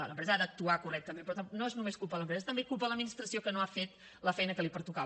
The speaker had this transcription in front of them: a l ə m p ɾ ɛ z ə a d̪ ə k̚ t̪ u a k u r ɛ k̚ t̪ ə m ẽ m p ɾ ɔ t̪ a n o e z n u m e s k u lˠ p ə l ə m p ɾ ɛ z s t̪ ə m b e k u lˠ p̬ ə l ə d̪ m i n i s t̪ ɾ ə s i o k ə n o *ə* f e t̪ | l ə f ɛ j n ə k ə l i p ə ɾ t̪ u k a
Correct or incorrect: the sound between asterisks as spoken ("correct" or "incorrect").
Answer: incorrect